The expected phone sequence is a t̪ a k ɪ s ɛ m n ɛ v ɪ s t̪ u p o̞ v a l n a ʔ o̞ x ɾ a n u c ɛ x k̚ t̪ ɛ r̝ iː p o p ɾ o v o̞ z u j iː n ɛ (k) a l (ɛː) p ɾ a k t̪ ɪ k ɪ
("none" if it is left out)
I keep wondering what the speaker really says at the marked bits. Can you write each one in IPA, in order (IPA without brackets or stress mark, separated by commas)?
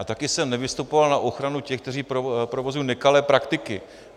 k, ɛː